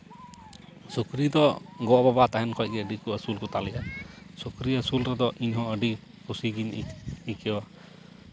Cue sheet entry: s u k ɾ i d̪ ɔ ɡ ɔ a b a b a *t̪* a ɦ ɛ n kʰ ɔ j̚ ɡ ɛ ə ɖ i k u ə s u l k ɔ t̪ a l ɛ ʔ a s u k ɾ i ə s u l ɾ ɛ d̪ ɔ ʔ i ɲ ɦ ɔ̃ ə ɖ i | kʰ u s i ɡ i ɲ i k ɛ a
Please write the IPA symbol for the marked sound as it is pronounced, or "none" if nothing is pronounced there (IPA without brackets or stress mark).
t̪